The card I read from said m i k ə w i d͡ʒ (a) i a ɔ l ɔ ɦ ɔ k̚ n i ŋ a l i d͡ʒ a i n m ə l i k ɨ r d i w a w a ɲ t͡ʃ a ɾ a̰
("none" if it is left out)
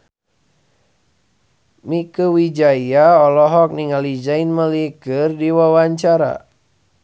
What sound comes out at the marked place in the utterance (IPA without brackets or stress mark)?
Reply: a